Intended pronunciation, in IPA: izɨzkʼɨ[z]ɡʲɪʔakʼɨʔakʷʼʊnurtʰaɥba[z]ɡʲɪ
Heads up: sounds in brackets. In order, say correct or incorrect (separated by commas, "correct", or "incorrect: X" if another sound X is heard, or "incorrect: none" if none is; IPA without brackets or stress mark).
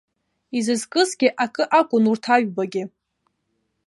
correct, incorrect: none